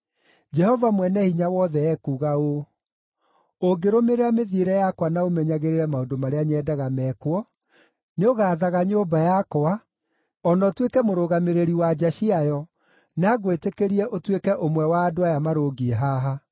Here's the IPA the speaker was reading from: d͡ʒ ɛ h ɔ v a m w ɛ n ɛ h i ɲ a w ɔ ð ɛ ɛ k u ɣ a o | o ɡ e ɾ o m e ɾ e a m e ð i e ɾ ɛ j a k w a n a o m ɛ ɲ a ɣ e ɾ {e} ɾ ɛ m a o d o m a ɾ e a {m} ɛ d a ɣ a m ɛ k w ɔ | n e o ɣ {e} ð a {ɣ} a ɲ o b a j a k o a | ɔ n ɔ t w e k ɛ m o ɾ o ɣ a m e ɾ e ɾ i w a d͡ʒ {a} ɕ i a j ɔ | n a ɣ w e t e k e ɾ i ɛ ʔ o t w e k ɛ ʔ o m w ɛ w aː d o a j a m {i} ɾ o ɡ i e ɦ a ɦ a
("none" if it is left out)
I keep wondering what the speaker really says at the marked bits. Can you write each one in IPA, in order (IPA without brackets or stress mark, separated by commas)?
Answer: e, ɲ, a, ɣ, a, a